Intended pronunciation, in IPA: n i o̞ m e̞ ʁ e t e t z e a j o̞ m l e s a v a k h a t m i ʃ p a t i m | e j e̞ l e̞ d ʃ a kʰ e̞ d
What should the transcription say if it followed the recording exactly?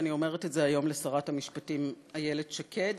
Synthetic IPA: n i o̞ m e̞ ʁ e t e t z e a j o̞ m l e s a ʁ a t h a m i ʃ p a t i m | a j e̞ l e̞ d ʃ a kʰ e̞ d